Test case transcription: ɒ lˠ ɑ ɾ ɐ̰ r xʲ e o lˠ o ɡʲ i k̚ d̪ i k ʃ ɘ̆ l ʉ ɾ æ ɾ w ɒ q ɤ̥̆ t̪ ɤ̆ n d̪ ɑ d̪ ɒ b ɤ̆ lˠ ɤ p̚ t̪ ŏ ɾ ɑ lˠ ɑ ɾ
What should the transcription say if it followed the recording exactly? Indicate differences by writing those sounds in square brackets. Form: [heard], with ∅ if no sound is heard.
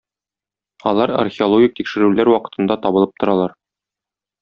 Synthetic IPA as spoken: ɒ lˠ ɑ ɾ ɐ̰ r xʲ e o lˠ o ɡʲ i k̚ [t̪] i k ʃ ɘ̆ [ɾ] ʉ [l] æ ɾ w ɒ q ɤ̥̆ t̪ ɤ̆ n d̪ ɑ [t̪] ɒ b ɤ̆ lˠ ɤ p̚ t̪ ŏ ɾ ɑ lˠ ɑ ɾ